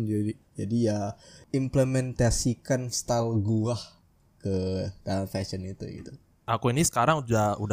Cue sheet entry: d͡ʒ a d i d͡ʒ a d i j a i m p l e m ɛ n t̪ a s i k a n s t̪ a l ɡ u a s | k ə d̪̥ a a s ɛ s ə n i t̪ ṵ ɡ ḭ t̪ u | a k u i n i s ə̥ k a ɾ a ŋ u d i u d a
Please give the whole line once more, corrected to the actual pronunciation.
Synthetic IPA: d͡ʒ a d i d͡ʒ a d i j a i m p l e m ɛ n t̪ a s i k a n s t̪ a l ɡ u a h | k ə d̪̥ a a f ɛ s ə n i t̪ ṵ ɡ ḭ t̪ u | a k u i n i s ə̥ k a ɾ a ŋ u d a u d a